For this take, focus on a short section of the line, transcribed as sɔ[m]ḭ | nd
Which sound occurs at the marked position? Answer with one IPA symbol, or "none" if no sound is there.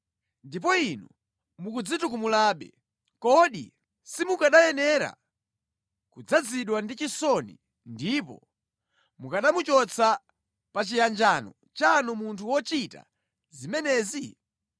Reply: n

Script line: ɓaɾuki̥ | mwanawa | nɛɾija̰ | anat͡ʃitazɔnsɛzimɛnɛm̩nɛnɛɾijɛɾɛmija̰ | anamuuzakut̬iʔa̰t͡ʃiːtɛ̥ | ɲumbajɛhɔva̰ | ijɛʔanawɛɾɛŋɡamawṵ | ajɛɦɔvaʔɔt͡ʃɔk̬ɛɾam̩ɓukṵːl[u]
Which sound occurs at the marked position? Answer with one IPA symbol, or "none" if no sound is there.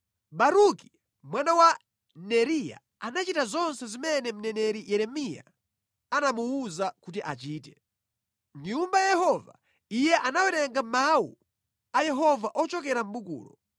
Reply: ɔ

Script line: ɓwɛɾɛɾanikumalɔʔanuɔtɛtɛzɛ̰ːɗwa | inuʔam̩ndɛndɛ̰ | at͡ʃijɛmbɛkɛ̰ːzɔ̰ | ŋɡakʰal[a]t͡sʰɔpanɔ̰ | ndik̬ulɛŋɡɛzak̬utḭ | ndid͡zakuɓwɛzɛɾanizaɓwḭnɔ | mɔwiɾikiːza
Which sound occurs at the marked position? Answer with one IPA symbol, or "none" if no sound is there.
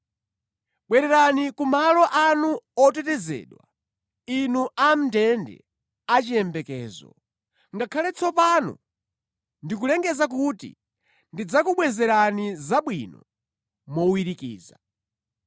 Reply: ɛ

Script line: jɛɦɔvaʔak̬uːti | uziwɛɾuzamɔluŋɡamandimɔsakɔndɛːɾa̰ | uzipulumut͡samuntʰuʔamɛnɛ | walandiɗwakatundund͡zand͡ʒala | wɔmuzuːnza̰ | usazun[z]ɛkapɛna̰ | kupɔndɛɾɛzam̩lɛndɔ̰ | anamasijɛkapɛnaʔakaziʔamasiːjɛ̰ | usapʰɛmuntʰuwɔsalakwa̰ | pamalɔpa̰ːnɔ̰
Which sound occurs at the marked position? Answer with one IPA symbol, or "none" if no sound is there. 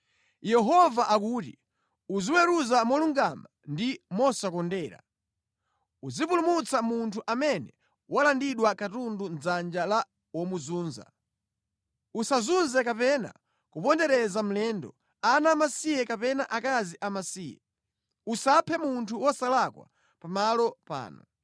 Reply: z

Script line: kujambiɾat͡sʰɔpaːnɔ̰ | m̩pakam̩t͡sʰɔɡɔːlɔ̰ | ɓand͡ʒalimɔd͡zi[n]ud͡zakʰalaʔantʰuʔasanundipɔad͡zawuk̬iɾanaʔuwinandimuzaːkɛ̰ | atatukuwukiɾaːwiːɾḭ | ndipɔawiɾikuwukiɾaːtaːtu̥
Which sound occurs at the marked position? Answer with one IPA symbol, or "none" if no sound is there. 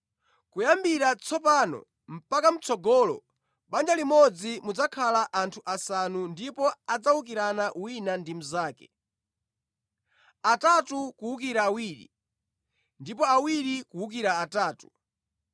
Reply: m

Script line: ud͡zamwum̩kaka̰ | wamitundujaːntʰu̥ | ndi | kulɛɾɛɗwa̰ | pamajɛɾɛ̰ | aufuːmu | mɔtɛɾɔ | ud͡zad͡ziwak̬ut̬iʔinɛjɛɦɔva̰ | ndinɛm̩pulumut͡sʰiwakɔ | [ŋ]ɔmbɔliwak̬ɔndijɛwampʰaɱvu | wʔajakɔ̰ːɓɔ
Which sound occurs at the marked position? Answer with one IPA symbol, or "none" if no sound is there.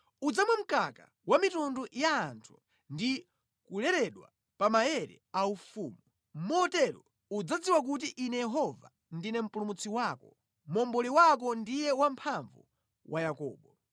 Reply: m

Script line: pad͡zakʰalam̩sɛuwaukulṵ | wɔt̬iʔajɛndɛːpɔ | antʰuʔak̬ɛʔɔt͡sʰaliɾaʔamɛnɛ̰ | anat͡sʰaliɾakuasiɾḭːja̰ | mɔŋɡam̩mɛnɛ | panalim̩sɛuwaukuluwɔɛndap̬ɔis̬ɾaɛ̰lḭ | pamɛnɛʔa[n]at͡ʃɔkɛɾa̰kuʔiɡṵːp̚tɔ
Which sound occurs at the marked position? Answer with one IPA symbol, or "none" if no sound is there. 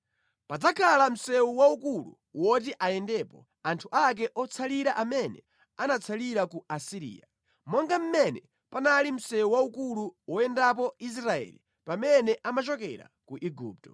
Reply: m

